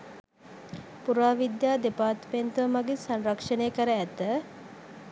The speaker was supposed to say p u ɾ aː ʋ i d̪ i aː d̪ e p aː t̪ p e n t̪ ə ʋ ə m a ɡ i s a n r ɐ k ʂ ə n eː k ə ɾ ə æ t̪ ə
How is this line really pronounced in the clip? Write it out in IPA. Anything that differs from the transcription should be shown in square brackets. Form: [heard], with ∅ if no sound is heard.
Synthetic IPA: p u ɾ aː ʋ i d̪ [j] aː d̪ e p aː t̪ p e n t̪ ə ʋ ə m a ɡ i s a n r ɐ k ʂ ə n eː k ə ɾ ə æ t̪ ə